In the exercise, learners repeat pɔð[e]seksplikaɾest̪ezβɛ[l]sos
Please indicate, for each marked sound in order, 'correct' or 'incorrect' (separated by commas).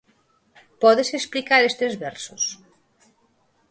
correct, incorrect